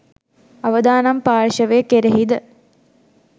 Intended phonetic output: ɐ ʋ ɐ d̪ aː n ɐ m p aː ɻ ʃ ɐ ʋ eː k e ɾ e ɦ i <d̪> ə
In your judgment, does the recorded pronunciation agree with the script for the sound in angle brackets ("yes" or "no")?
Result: yes